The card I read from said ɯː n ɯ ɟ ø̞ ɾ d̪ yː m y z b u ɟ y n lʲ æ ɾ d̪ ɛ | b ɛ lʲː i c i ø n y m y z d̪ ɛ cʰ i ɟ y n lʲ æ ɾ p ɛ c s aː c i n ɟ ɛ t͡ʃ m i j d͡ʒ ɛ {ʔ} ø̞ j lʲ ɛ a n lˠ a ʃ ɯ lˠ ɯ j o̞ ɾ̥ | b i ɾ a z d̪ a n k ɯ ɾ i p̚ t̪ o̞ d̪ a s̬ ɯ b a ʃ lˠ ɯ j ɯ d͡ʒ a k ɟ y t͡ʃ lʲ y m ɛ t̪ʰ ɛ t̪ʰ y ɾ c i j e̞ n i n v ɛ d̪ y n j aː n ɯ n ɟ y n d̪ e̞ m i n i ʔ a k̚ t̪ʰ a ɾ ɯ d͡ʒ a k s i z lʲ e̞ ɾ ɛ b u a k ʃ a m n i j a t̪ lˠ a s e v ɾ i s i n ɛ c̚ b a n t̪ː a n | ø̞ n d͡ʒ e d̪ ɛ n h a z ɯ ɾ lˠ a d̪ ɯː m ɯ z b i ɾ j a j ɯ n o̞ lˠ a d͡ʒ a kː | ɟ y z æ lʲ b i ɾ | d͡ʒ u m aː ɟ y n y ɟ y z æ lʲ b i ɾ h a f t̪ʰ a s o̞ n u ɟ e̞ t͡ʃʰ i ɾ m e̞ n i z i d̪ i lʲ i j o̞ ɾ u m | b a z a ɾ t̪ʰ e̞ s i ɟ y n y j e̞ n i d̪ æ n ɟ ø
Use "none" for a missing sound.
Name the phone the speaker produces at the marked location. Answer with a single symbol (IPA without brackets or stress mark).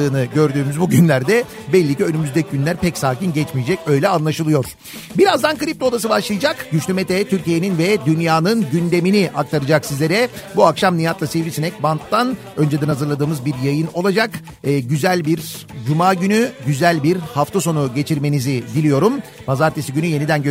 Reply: c